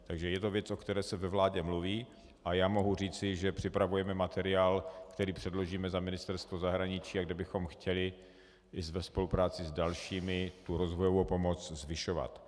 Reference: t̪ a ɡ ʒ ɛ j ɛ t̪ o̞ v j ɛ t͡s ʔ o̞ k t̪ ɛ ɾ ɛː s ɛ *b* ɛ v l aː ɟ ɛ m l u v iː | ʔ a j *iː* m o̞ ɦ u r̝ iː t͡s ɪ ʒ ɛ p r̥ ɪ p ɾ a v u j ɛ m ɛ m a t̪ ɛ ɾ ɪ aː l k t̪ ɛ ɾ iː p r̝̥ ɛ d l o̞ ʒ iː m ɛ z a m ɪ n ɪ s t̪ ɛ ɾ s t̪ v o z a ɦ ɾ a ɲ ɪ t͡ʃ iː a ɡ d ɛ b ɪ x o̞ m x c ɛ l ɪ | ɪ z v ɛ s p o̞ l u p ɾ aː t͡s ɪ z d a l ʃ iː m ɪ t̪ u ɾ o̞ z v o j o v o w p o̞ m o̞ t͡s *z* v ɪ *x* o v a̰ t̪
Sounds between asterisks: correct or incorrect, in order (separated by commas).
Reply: incorrect, incorrect, correct, incorrect